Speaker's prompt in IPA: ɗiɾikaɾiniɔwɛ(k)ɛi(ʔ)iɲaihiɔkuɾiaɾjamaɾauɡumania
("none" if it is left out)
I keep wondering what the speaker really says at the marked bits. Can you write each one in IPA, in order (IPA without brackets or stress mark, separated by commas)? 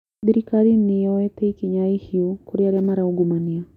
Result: t, k